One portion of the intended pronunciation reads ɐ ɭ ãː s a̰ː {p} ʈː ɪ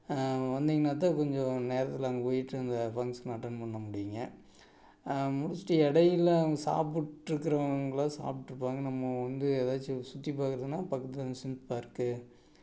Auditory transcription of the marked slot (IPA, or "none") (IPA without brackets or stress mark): p